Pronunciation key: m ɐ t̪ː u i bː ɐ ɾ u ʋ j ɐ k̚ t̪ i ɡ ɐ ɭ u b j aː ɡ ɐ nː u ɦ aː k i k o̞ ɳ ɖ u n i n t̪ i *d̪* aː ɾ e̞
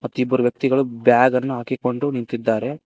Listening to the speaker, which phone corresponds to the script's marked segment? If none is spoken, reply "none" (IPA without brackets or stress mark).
d̪ː